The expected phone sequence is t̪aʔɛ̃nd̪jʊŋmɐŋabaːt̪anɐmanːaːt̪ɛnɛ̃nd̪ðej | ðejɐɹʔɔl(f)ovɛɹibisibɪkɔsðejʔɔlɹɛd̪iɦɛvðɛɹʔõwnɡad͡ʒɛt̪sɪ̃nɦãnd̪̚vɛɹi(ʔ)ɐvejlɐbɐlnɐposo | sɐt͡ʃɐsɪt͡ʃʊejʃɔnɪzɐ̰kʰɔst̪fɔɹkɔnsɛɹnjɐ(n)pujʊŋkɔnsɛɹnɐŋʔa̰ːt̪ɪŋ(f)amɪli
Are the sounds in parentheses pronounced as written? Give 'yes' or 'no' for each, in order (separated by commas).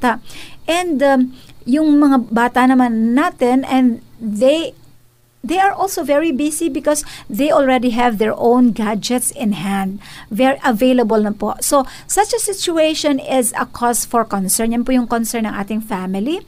no, yes, yes, yes